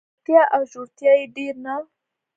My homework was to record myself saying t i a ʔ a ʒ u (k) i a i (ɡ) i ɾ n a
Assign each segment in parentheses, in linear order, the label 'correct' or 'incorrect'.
incorrect: t, incorrect: d

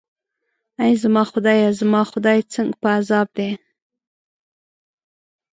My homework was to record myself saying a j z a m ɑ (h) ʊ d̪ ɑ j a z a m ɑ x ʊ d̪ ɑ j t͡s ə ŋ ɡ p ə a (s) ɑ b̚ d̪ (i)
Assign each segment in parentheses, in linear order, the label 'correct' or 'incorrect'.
incorrect: x, incorrect: z, incorrect: e

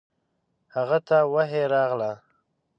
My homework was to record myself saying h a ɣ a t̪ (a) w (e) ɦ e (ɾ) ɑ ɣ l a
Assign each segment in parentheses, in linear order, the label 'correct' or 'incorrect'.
correct, incorrect: a, correct

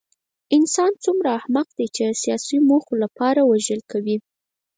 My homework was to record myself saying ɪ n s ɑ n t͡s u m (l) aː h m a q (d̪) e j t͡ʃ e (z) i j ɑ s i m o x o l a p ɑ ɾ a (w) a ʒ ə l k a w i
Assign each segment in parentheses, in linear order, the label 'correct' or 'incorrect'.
incorrect: ɾ, correct, incorrect: s, correct

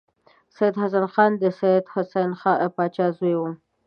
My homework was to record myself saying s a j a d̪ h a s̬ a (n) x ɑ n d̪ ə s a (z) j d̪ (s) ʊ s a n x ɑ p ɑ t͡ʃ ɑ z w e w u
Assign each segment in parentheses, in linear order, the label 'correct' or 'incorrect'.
correct, incorrect: none, incorrect: h

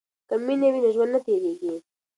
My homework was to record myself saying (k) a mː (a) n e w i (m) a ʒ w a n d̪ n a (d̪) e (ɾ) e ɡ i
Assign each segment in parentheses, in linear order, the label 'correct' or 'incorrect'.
correct, incorrect: i, incorrect: n, incorrect: t̪, correct

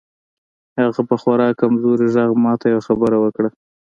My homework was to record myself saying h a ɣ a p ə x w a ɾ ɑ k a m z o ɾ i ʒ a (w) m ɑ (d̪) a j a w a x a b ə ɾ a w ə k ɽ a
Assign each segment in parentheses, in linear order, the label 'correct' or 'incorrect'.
incorrect: ɣ, incorrect: t̪

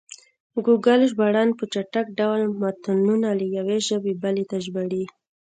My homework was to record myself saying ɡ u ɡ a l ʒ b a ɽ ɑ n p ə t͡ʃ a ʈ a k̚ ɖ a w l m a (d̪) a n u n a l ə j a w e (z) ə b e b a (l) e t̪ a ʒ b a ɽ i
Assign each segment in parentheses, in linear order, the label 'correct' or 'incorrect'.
incorrect: t̪, incorrect: ʒ, correct

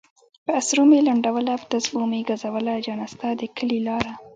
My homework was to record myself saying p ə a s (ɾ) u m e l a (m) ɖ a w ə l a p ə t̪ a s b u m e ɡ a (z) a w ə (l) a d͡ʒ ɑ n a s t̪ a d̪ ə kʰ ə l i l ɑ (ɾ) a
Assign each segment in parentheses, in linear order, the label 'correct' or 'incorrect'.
correct, incorrect: ɳ, correct, correct, correct

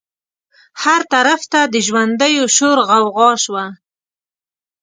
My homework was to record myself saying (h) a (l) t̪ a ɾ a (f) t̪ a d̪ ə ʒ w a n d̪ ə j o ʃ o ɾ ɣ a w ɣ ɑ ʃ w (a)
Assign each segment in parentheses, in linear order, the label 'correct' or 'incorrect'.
correct, incorrect: ɾ, correct, correct

